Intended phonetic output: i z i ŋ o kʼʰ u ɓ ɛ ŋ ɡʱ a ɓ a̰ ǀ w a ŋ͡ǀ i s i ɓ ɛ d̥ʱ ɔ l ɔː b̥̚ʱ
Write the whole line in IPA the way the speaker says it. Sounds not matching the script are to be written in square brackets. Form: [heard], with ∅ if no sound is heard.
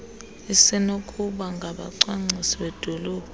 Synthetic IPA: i [s] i [n] o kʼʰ u ɓ [a] ŋ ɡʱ a ɓ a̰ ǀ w a ŋ͡ǀ i s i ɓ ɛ d̥ʱ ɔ l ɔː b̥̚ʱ